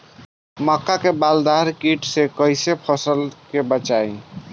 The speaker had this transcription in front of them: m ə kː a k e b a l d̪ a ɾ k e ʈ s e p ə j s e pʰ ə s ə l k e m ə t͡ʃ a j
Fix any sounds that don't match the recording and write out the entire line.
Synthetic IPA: m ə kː a k e b a l d̪ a ɾ k i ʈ s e k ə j s e pʰ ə s ə l k e b ə t͡ʃ a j